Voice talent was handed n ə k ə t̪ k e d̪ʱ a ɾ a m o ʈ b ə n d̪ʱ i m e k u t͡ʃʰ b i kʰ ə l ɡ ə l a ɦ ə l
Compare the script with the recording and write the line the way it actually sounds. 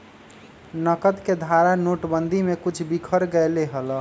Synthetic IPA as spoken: n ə k ə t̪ k e d̪ʱ a ɾ a n o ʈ b ə n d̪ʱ i m e k u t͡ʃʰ b i kʰ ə ɾ ɡ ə l e ɦ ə l